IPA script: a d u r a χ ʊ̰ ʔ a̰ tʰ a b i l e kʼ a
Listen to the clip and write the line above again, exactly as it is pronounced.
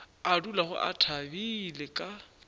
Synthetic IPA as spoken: a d u l a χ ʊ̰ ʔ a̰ tʰ a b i l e kʼ a